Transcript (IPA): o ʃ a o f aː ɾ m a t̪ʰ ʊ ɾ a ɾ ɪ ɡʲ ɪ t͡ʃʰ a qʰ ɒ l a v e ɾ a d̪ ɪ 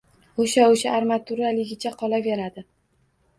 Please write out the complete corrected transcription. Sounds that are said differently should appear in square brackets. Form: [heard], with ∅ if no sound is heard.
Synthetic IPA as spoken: o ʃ a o [ʃ] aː ɾ m a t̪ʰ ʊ ɾ a [l] ɪ ɡʲ ɪ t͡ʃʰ a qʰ ɒ l a v e ɾ a d̪ ɪ